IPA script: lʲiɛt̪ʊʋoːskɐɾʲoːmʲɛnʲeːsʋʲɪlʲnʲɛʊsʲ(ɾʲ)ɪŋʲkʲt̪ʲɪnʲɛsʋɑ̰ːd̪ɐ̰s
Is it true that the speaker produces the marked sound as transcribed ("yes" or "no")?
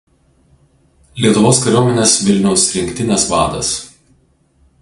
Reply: yes